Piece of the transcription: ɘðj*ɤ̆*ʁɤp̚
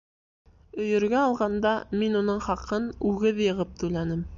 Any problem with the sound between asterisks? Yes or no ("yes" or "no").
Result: no